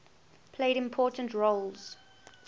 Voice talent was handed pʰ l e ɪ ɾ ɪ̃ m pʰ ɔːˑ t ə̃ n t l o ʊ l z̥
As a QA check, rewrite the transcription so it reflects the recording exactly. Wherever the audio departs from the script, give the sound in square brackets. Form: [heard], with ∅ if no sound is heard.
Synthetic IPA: pʰ l e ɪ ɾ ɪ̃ m pʰ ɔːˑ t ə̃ n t [ɹ] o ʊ l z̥

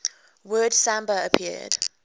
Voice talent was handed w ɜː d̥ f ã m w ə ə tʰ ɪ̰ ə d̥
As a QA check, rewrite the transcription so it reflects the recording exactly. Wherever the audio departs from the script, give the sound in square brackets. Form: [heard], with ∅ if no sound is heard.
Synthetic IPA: w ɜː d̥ [s] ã m [b] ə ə [pʰ] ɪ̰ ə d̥

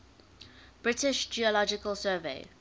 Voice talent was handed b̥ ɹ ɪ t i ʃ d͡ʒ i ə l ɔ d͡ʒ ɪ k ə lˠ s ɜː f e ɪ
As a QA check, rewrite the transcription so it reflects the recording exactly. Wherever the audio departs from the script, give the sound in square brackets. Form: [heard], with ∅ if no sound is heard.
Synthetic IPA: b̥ ɹ ɪ t [ɪ] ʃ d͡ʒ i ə l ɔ d͡ʒ ɪ k ə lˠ s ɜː [v] e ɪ

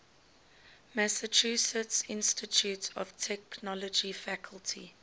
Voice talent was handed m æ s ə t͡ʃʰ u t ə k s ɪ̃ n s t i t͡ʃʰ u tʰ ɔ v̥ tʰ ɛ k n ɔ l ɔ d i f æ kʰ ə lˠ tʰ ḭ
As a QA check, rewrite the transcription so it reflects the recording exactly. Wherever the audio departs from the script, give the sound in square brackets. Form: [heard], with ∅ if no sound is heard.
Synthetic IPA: m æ s ə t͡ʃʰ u [s] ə [t] s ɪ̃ n s t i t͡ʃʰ u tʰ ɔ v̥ tʰ ɛ k n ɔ l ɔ [d͡ʒ] i f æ kʰ ə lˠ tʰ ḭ

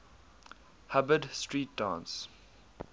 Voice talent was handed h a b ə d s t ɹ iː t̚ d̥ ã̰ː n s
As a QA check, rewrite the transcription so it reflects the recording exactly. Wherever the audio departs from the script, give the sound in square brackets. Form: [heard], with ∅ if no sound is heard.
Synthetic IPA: h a b ə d s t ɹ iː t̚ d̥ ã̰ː n s

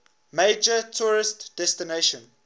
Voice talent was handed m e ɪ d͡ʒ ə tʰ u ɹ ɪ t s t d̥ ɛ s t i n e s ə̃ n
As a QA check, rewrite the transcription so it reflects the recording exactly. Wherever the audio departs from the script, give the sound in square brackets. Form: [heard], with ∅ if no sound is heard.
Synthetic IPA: m e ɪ d͡ʒ ə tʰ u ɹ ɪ [∅] s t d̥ ɛ s t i n e [ʃ] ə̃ n

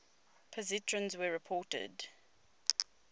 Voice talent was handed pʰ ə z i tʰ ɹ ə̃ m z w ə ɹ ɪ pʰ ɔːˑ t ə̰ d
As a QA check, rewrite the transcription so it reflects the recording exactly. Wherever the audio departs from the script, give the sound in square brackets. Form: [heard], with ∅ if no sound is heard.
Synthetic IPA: pʰ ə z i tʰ ɹ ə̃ [n] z w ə ɹ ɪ pʰ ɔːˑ t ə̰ d

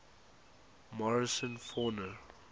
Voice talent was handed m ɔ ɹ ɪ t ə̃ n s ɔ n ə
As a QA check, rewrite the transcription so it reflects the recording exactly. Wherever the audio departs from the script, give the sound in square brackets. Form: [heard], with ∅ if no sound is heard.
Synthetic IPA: m ɔ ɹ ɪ [s] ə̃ n [f] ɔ n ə

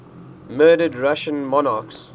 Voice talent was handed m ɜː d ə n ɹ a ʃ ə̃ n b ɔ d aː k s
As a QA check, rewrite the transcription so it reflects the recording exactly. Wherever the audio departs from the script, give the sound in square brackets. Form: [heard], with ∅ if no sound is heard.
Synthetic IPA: m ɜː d ə [d] ɹ a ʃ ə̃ n [m] ɔ [n] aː k s

